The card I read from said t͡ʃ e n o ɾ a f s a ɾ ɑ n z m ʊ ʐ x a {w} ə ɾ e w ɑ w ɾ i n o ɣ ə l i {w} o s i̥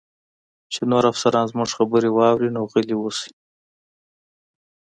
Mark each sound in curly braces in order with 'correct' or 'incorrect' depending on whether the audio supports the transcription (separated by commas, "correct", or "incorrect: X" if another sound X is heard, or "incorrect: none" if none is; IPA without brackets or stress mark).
incorrect: b, correct